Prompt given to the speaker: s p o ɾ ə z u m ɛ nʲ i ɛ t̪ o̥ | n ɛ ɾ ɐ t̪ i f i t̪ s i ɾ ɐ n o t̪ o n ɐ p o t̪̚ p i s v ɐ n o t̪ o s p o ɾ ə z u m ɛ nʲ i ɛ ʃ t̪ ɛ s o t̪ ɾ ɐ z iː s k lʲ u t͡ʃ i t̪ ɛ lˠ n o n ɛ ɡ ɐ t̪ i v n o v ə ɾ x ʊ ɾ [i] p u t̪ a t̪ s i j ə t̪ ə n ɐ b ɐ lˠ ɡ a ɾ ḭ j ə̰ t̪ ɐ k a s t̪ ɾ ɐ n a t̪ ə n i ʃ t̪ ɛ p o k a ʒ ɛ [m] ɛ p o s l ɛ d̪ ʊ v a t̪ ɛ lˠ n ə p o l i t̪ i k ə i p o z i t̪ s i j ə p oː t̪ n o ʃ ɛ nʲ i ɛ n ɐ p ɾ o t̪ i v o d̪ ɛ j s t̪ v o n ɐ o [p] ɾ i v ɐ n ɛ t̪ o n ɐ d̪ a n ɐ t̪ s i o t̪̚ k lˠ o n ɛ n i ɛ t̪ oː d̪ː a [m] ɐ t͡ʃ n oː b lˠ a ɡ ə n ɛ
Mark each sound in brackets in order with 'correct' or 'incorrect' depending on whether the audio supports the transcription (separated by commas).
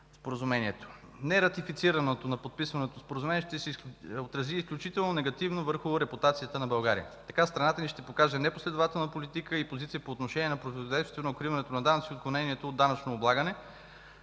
incorrect, incorrect, incorrect, incorrect